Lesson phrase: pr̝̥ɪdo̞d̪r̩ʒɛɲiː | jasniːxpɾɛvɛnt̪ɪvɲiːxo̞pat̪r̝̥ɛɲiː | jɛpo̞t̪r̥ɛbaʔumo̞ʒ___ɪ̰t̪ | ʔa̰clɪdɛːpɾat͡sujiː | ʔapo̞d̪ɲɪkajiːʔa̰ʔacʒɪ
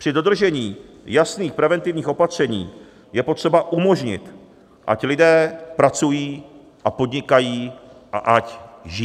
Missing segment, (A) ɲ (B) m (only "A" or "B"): A